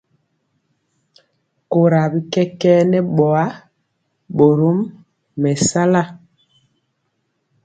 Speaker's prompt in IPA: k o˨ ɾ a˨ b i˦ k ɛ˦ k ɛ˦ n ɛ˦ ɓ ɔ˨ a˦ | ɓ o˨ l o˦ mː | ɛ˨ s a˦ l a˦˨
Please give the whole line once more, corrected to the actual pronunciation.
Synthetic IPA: k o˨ ɾ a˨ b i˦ k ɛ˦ k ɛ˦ n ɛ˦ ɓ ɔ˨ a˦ | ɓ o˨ ɾ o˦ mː | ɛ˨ s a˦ l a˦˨